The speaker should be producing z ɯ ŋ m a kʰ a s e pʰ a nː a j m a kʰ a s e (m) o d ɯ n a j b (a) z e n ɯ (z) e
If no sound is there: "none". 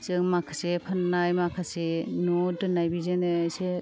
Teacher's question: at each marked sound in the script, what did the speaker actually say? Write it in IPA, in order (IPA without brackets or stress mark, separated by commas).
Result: n, i, s